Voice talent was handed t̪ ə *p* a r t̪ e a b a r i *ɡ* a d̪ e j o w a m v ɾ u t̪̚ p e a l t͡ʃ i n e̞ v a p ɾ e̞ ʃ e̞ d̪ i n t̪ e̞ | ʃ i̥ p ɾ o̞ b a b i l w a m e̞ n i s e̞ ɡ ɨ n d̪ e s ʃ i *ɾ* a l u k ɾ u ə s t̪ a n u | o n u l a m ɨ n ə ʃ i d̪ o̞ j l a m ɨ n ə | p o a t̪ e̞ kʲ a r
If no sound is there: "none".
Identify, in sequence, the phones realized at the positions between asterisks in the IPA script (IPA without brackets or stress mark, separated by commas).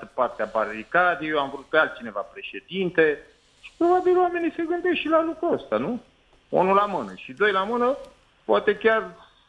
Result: p, k, l